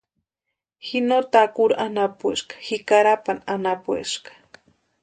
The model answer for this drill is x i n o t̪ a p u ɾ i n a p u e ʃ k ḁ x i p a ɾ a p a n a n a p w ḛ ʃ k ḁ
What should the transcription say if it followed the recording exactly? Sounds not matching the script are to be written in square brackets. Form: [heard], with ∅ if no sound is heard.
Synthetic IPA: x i n o t̪ a [k] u ɾ [a] n a p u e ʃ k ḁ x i [k] a ɾ a p a n a n a p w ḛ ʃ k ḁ